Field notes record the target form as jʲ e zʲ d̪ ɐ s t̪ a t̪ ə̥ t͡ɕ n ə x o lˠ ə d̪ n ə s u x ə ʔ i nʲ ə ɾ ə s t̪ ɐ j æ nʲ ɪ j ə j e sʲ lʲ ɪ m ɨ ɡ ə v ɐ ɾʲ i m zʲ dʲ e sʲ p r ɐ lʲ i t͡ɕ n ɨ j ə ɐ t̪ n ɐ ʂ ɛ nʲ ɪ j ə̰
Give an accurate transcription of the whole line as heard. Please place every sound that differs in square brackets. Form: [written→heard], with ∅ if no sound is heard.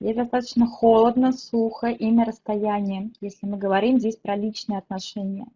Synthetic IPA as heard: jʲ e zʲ d̪ ɐ s t̪ a t̪ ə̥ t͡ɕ n ə x o lˠ ə d̪ n ə s u x ə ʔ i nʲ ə ɾ ə s t̪ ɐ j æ nʲ ɪ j ə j e sʲ lʲ ɪ m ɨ ɡ ə v ɐ ɾʲ i m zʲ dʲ e sʲ p [r→ɾ] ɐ lʲ i t͡ɕ n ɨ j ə ɐ t̪ n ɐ ʂ ɛ nʲ ɪ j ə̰